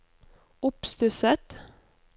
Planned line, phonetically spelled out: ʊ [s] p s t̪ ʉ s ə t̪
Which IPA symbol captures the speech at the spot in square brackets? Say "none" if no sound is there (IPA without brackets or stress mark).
none